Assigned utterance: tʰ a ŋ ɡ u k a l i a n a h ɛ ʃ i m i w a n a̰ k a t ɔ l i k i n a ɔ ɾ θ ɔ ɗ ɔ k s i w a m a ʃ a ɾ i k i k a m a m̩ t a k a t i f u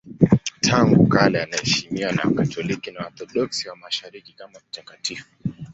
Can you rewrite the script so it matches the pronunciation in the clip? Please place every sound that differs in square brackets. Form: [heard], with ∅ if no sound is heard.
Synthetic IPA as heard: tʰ a ŋ ɡ u k a l [ɛ] a n a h ɛ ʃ i m i w a n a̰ k a t ɔ l i k i n a ɔ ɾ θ ɔ ɗ ɔ k s i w a m a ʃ a ɾ i k i k a m a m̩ t a k a t i f u